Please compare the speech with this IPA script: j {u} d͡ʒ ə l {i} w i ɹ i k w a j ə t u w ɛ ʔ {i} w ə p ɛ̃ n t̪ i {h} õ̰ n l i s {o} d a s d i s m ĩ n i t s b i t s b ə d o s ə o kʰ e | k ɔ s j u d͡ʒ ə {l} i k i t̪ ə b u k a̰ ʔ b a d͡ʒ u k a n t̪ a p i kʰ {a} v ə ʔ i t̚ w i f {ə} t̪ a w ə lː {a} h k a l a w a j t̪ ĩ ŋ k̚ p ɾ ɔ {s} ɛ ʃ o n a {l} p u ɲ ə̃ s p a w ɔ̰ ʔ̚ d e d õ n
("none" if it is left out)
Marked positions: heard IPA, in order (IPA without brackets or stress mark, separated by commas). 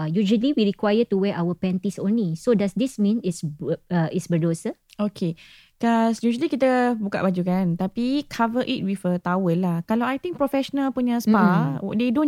u, i, a, s, o, l, a, ə, a, f, l